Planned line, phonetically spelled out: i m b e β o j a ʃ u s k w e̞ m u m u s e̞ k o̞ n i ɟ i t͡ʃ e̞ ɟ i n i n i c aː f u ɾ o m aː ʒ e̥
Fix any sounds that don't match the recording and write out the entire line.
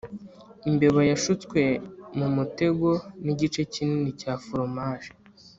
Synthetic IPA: i m b e β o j a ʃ u t͡s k w e̞ m u m u t e̞ ɡ o̞ n i ɟ i t͡ʃ e̞ c i n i n i c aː f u ɾ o m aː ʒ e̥